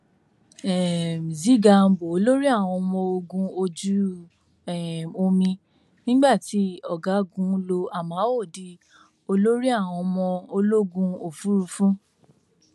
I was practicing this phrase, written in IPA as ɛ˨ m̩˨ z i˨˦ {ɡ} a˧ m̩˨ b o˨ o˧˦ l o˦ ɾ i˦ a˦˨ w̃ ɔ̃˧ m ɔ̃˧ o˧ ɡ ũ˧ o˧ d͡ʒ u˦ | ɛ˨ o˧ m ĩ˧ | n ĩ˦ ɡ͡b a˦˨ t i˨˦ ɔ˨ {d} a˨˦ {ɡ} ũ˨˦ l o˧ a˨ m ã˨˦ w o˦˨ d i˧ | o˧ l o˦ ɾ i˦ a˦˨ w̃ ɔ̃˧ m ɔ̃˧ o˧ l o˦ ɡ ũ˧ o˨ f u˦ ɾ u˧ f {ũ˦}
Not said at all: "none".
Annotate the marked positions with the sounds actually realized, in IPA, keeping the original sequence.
ɡ, ɡ, ɡ, ũ˦

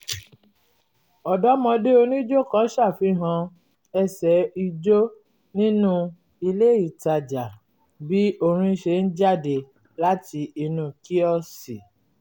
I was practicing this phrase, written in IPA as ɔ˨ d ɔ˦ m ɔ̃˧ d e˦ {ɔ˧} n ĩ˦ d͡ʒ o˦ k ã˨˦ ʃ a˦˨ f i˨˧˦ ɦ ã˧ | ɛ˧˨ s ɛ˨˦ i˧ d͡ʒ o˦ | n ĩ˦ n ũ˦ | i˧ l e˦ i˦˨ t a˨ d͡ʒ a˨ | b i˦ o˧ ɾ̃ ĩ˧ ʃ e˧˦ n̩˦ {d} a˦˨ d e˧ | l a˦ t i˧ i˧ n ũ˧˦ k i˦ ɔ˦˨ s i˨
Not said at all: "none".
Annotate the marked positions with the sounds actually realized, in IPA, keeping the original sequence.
o˧, d͡ʒ

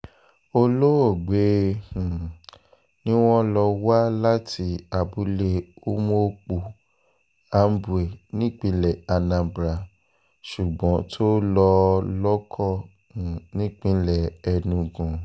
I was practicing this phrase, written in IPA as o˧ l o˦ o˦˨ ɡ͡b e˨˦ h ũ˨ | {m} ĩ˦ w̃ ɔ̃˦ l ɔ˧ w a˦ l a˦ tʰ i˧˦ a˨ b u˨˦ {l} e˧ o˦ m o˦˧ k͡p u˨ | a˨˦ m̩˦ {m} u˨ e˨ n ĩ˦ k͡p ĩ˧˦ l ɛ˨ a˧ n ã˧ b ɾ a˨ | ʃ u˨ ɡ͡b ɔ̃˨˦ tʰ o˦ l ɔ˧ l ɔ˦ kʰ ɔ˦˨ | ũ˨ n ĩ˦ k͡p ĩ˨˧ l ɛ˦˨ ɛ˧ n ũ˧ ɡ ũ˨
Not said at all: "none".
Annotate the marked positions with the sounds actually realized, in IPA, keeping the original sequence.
n, l, b

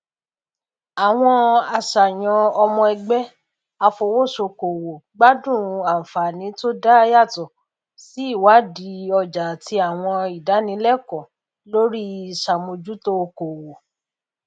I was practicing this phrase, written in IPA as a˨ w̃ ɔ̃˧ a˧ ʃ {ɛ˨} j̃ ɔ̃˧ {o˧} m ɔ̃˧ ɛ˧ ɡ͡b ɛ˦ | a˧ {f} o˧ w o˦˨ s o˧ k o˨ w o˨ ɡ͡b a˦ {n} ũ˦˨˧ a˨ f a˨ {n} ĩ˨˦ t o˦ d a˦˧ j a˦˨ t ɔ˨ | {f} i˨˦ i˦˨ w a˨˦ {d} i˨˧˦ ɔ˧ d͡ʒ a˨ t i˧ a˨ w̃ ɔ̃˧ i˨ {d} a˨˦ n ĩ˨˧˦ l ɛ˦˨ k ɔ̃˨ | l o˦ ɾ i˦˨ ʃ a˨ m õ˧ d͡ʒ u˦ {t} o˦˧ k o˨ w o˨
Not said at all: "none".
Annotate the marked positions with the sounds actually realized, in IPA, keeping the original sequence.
a˨, ɔ˧, f, d, n, s, d, d, t

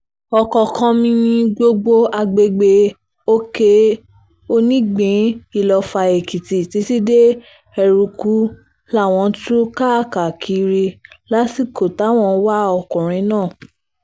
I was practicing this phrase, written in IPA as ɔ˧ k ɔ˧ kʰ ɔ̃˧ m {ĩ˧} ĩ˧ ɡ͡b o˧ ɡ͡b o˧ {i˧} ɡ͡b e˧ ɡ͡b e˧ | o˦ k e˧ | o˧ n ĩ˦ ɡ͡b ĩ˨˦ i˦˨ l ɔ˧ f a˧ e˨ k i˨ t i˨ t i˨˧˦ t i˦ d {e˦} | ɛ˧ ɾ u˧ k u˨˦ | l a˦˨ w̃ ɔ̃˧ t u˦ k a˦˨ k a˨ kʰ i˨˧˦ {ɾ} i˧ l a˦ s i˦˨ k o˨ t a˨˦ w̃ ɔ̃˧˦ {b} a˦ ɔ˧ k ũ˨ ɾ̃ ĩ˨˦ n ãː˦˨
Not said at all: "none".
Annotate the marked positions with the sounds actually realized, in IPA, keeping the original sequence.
ĩ˧, a˧, e˦, ɾ, w

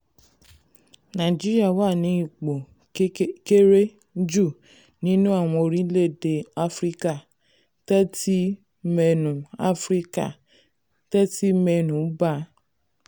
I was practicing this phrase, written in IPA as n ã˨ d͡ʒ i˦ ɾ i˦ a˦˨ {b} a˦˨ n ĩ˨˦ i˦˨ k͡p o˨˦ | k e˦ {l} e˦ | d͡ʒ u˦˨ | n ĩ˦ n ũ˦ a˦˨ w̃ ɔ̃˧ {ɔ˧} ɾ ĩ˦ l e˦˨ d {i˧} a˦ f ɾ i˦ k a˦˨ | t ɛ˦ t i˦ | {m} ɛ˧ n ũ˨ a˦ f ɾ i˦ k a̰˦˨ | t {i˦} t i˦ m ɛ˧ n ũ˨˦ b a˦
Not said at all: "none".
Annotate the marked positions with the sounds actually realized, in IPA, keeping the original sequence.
w, ɾ, o˧, e˧, m, ɛ˦

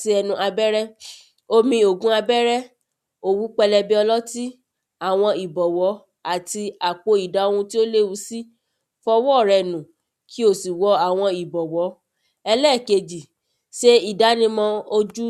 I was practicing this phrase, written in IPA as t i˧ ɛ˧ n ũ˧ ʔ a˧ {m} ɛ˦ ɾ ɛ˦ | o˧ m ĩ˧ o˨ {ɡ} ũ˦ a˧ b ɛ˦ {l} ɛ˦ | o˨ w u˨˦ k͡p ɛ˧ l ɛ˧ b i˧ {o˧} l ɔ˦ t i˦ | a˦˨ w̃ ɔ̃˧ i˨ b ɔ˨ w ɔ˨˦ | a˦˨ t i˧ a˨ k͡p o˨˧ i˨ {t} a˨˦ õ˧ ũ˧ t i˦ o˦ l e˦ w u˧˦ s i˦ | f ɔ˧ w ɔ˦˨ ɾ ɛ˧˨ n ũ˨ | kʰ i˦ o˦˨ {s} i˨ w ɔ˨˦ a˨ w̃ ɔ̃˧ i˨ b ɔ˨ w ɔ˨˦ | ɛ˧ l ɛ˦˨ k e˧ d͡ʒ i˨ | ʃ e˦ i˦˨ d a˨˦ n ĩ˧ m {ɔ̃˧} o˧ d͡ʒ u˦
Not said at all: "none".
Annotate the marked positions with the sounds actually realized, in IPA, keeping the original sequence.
b, ɡ, ɾ, ɔ˧, d, s, ɔ̃˧

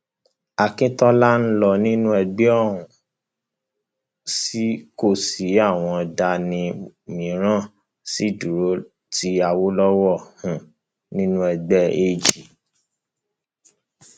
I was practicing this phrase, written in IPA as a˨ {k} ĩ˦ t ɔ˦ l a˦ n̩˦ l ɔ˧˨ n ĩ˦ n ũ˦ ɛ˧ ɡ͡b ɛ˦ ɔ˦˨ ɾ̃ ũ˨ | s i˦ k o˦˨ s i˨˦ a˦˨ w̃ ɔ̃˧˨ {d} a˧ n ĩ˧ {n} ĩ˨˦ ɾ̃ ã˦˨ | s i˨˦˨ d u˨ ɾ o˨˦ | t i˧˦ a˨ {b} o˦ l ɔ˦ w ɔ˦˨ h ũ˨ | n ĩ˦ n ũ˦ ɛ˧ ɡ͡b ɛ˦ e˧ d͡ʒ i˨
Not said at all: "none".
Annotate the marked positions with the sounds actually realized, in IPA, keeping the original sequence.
k, d, m, w

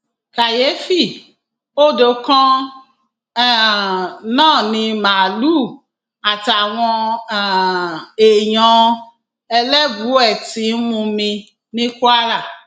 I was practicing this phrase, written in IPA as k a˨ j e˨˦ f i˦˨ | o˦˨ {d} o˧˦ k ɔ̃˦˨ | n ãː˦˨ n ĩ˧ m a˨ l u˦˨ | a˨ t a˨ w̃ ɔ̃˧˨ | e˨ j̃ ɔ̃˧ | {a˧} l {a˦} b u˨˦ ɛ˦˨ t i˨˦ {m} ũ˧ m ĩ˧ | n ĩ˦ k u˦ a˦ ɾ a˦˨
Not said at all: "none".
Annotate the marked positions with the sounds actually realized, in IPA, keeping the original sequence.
d, ɛ˧, ɛ˦, m

